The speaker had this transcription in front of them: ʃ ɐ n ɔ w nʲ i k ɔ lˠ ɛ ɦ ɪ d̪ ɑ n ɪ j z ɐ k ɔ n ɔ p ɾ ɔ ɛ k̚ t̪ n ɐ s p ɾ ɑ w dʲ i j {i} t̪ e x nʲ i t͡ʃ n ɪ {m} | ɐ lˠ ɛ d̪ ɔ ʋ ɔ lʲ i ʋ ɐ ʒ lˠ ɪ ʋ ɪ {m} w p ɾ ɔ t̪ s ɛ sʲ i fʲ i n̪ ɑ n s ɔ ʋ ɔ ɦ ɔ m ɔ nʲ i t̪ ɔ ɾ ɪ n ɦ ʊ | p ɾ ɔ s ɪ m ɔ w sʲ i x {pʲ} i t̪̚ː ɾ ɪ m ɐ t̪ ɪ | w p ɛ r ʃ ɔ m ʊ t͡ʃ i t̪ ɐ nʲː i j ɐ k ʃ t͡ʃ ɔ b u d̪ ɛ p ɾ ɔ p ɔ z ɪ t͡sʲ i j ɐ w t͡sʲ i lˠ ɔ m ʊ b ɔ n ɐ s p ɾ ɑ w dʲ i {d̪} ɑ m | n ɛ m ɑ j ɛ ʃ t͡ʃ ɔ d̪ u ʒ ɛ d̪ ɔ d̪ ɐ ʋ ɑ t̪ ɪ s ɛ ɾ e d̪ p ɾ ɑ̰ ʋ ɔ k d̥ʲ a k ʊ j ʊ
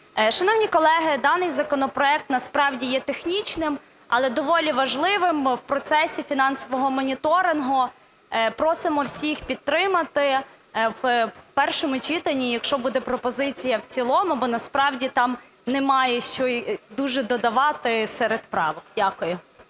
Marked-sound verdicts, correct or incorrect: incorrect, correct, correct, correct, incorrect

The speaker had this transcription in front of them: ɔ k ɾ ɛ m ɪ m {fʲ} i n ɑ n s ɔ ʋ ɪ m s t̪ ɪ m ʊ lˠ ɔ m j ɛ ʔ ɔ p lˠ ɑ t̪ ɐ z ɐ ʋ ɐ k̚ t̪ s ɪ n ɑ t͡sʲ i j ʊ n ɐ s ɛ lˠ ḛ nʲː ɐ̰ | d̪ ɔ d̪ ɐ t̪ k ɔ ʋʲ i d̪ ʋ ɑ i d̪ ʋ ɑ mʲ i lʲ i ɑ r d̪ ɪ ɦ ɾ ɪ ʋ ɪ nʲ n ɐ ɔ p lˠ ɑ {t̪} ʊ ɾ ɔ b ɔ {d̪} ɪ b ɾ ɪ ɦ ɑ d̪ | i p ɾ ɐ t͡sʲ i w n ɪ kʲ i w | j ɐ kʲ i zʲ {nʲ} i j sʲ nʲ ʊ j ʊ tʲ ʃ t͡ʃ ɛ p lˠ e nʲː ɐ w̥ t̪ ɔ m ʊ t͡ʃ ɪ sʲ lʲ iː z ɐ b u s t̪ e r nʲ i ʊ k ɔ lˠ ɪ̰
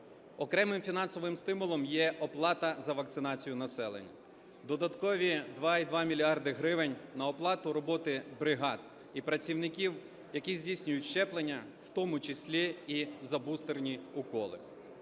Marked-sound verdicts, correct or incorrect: correct, correct, incorrect, incorrect

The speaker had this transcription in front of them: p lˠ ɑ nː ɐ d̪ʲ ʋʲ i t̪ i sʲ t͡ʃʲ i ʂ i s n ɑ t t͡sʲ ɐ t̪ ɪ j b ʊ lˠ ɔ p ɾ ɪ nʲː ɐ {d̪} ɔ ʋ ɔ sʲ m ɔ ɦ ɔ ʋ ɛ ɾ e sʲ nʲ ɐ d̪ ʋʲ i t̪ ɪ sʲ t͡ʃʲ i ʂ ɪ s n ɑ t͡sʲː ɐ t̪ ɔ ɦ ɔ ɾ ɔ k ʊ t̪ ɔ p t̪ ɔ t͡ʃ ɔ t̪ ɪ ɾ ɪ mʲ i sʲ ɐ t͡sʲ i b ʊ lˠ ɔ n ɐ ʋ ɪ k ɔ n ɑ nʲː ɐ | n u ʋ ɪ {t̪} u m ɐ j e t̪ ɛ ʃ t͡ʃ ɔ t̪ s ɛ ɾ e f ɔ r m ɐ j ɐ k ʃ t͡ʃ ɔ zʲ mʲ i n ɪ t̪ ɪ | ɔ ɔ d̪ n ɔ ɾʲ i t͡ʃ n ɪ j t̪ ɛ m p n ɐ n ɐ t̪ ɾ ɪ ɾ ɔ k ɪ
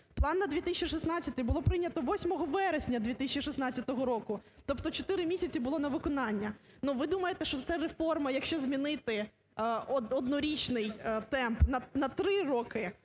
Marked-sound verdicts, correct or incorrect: incorrect, incorrect

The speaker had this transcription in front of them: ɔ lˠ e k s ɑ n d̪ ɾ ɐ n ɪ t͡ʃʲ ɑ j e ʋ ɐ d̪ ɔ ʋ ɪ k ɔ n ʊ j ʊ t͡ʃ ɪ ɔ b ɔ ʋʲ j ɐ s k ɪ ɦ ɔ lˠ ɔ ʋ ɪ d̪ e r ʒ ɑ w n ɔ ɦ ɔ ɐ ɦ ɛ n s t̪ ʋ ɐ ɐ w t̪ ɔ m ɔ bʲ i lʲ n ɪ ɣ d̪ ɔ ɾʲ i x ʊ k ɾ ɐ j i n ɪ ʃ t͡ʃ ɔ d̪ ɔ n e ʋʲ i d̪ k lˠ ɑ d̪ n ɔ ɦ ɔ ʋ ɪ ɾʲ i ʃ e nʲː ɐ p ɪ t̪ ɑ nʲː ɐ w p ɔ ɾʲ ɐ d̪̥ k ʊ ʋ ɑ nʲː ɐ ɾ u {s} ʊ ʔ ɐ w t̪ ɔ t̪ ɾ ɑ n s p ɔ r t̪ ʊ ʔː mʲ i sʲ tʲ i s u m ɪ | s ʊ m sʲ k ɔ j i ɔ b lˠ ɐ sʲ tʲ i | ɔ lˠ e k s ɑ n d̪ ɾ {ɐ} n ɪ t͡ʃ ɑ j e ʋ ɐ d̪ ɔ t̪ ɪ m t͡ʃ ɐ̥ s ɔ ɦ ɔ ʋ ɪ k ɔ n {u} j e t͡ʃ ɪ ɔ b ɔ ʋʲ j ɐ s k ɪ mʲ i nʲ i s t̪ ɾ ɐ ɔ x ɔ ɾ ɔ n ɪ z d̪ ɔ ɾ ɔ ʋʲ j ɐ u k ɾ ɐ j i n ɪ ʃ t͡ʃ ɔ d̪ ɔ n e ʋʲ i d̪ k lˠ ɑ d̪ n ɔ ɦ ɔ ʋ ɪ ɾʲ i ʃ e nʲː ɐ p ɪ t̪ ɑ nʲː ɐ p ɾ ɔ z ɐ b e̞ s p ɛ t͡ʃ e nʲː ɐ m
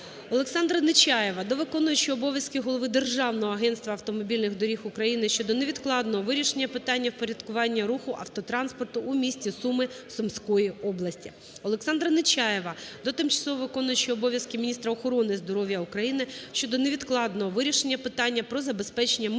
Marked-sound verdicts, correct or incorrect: incorrect, correct, incorrect

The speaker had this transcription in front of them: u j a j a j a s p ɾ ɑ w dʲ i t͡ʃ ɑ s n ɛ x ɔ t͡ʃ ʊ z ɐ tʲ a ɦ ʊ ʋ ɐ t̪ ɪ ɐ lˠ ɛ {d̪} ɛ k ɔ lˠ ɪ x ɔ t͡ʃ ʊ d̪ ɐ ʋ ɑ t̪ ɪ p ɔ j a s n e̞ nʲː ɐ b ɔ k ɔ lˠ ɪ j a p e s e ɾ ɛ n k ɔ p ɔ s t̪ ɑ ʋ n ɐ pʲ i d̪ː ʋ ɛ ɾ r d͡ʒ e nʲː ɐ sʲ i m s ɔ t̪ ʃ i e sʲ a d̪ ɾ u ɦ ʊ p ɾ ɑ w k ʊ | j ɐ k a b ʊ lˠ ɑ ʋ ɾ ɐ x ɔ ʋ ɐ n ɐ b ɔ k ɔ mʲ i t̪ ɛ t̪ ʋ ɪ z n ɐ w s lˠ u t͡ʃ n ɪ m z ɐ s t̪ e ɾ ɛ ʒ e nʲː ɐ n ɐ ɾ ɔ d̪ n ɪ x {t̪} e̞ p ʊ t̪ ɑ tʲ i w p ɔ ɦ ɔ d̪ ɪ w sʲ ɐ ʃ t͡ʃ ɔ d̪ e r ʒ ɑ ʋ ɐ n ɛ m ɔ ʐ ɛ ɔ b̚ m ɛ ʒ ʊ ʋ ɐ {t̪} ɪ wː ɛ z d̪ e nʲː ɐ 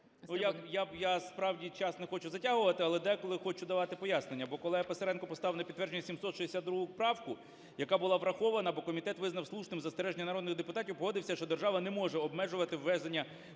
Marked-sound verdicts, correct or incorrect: correct, incorrect, correct

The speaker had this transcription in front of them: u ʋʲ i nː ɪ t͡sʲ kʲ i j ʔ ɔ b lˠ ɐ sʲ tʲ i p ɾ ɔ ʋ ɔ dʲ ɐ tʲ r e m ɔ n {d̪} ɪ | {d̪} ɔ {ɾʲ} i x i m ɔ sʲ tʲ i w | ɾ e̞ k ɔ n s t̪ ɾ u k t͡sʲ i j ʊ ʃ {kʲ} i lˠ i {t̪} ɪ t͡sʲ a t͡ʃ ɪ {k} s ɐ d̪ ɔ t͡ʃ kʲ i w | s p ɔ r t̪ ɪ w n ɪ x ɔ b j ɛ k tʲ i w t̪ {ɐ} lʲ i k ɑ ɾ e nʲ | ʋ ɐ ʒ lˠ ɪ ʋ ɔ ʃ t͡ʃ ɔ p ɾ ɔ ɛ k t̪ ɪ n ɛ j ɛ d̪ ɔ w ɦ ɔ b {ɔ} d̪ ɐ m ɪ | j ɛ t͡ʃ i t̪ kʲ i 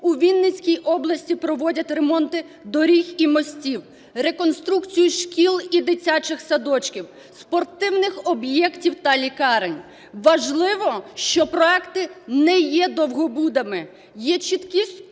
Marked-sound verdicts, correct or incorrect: incorrect, correct, correct, correct, incorrect, incorrect, correct, incorrect

